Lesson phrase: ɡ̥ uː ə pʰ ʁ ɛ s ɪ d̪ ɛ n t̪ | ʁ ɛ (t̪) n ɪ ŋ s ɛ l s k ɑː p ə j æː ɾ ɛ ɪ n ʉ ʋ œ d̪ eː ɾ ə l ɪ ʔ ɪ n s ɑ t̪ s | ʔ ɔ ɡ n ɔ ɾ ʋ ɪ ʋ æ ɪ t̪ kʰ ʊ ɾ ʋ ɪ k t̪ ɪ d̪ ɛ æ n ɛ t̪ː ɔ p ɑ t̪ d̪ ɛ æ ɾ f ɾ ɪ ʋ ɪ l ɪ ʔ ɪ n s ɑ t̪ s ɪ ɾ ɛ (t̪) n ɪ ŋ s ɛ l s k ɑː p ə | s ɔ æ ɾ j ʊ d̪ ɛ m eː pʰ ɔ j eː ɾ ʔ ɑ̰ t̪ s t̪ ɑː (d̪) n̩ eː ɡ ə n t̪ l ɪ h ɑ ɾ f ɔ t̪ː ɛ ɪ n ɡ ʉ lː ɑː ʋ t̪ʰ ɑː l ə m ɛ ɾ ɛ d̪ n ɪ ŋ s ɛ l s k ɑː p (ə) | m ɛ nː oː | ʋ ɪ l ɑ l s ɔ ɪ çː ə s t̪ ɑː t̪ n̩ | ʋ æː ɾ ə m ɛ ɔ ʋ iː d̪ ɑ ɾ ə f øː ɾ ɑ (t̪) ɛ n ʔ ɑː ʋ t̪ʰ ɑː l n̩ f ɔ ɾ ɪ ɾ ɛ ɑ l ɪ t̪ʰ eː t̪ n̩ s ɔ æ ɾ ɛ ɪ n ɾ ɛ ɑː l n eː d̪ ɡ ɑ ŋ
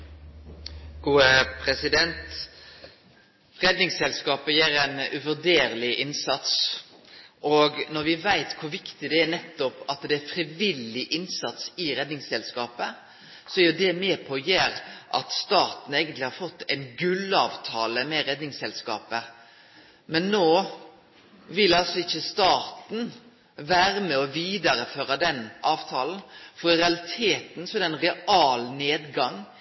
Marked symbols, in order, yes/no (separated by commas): no, no, no, yes, no